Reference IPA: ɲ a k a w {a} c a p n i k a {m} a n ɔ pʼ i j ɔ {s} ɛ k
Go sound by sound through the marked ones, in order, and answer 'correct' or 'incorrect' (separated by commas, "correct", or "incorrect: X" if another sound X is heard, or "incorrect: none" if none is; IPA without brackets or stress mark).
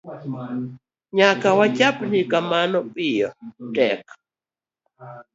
correct, correct, incorrect: t